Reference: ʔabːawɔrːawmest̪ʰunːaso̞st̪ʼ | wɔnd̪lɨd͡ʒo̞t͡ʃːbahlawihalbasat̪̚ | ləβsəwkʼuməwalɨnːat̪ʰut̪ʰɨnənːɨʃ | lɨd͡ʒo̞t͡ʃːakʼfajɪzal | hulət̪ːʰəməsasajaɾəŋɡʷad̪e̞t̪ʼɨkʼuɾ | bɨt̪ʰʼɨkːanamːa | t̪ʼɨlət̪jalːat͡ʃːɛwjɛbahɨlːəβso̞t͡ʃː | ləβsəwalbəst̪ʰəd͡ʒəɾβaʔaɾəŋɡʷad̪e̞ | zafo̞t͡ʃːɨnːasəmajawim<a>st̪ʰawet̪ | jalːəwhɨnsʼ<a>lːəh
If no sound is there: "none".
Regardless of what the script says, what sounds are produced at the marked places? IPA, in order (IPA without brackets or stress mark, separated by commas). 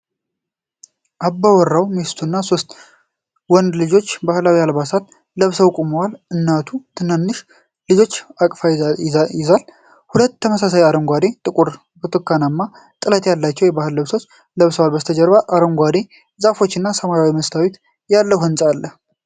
ə, a